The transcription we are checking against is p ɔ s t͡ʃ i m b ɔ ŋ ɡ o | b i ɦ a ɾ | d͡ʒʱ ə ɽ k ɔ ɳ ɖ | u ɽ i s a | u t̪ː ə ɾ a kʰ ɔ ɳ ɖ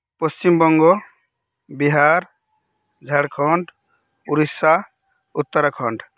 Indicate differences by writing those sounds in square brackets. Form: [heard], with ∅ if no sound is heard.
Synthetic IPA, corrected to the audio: p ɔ s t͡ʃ i m b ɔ ŋ ɡ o | b i ɦ a ɾ | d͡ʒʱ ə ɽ [kʰ] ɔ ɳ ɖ | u [ɾ] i s a | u t̪ː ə ɾ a kʰ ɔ ɳ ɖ